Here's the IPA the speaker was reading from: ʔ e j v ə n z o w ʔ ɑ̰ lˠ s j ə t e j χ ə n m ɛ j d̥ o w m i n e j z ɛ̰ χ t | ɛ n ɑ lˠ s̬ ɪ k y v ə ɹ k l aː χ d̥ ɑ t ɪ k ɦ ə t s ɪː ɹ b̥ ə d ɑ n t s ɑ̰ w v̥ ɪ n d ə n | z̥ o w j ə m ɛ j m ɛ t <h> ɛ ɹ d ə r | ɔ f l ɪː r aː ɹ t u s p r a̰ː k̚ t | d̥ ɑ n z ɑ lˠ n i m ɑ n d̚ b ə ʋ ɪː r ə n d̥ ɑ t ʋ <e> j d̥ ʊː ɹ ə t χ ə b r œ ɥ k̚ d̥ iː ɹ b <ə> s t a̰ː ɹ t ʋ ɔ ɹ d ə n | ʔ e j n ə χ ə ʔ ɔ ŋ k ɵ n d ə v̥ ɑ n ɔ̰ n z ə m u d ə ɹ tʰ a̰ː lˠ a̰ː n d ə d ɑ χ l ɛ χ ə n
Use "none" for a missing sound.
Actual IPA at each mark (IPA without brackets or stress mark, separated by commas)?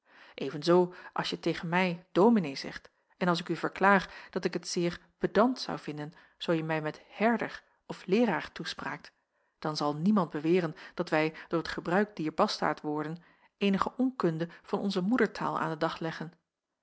h, ɛ, ɑ